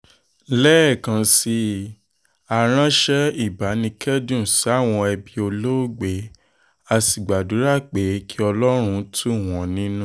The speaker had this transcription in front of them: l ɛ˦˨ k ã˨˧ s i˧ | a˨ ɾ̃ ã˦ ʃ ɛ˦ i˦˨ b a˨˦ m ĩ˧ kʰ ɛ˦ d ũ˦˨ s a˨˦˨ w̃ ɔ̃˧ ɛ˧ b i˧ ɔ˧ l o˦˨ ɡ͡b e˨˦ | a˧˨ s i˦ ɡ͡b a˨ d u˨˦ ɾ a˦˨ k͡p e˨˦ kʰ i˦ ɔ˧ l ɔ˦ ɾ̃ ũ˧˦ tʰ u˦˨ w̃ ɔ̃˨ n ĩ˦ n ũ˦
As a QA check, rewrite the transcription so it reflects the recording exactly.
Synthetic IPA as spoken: l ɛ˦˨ k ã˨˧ s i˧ | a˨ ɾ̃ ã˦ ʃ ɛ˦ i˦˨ b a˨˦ n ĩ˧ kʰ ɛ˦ d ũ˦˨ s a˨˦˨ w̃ ɔ̃˧ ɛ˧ b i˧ o˧ l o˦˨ ɡ͡b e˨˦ | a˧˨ s i˨ ɡ͡b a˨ d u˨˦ ɾ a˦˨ k͡p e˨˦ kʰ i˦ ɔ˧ l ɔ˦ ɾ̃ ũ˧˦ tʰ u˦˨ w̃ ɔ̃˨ n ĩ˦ n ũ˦